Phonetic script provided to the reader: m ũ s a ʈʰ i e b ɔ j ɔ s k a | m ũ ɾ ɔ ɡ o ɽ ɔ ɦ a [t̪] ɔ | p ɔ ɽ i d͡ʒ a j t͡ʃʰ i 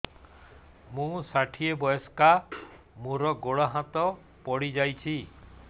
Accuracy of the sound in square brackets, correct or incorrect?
correct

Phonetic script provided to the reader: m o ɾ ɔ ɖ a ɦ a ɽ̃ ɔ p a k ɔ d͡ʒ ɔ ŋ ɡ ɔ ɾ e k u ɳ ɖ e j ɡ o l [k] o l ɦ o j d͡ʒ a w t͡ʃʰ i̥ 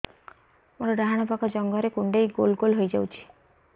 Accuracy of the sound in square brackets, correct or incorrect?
incorrect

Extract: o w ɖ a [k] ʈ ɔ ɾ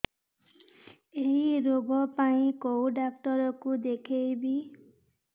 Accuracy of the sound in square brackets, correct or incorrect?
correct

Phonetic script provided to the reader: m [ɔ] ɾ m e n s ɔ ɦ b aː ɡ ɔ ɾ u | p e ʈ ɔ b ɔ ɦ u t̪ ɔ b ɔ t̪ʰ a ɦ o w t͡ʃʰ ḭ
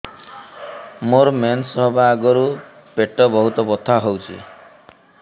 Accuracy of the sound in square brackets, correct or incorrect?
incorrect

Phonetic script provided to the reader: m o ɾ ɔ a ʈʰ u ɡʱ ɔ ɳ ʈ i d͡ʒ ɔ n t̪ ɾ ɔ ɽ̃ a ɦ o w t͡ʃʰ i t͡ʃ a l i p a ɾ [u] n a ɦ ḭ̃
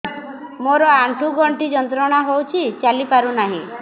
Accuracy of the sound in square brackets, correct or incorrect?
correct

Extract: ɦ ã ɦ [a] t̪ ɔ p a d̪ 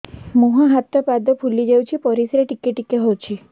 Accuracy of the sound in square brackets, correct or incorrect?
correct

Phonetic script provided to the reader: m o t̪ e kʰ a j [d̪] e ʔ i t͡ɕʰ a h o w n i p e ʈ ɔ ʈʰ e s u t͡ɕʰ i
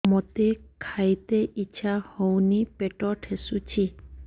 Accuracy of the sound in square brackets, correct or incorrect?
incorrect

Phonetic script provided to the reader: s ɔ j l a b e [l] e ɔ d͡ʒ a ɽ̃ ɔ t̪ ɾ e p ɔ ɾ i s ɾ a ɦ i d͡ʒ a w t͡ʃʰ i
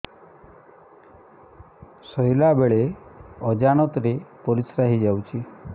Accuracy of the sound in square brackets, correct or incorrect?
incorrect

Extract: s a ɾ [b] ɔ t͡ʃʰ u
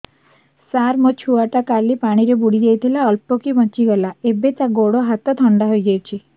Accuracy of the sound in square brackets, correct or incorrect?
incorrect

